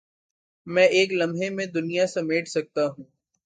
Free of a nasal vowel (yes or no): no